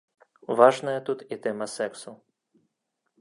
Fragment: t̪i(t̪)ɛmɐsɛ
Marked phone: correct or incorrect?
correct